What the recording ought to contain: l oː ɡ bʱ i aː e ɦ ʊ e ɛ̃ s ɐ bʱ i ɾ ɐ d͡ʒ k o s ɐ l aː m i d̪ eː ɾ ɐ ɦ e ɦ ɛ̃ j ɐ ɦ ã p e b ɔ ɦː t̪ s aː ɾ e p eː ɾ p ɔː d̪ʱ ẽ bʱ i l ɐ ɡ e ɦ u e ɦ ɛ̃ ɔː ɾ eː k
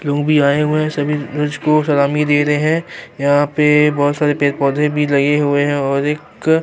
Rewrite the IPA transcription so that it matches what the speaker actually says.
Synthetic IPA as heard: l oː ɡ bʱ i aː e ɦ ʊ e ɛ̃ s ɐ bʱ i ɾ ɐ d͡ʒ k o s ɐ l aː m i d̪ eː ɾ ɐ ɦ e ɦ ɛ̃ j ɐ ɦ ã p e b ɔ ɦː t̪ s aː ɾ e p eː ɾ p ɔː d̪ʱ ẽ bʱ i l ɐ ɡ e ɦ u e ɦ ɛ̃ ɔː ɾ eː k